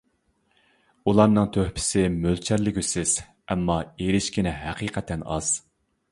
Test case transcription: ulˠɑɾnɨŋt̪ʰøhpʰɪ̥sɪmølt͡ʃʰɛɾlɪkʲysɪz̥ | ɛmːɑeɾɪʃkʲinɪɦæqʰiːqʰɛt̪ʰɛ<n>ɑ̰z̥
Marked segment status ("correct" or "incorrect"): correct